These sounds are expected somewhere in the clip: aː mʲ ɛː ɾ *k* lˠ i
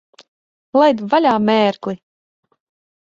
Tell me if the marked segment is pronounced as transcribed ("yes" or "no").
yes